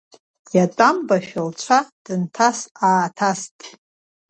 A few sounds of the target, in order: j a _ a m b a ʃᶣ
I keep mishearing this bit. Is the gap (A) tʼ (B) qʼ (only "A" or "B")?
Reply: A